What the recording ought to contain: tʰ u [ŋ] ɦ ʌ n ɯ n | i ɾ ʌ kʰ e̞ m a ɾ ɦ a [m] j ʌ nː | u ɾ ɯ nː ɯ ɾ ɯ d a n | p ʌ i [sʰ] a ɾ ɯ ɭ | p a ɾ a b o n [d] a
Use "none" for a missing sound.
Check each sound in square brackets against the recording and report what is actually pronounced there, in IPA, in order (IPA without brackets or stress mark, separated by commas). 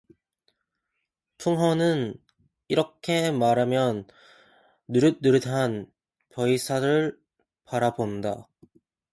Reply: ŋ, m, sʰ, d